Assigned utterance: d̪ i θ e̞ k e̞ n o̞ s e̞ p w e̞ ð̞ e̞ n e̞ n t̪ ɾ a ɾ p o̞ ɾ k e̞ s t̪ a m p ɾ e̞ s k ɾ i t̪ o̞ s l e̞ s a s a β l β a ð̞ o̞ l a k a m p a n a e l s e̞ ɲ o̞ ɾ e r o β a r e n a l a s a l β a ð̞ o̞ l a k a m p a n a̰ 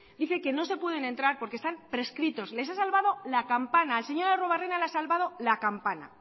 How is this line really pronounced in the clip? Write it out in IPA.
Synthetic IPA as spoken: d̪ i θ e̞ k e̞ n o̞ s e̞ p w e̞ ð̞ e̞ n e̞ n t̪ ɾ a ɾ p o̞ ɾ k e̞ s t̪ a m p ɾ e̞ s k ɾ i t̪ o̞ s l e̞ s a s a l β a ð̞ o̞ l a k a m p a n a e l s e̞ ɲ o̞ ɾ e r o β a r e n a l a s a l β a ð̞ o̞ l a k a m p a n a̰